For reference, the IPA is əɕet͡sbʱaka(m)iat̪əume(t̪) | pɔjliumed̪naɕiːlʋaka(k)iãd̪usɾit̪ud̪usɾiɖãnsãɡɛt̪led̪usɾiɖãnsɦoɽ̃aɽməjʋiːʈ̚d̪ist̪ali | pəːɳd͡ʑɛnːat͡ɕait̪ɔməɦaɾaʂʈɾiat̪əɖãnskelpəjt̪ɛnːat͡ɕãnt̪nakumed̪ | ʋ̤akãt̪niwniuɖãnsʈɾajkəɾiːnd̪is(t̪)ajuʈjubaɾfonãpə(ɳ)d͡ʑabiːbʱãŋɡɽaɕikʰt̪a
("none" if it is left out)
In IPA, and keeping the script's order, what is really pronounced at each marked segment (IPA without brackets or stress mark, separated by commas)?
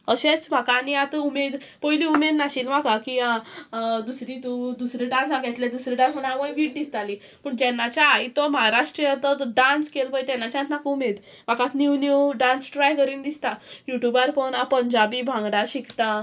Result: n, d̪, k, t̪, ɲ